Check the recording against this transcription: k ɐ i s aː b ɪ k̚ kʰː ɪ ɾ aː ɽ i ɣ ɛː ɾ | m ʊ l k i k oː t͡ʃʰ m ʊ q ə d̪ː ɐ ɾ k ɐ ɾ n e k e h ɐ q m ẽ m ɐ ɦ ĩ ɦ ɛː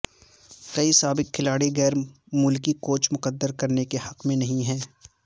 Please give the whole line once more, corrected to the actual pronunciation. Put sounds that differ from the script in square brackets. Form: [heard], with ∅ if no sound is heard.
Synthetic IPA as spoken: k ɐ i s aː b ɪ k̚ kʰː ɪ [l] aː ɽ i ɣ ɛː ɾ | m ʊ l k i k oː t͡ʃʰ m ʊ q ə d̪ː [ə] ɾ k ɐ ɾ n e k e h ɐ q m ẽ [n] ɐ ɦ ĩ ɦ ɛː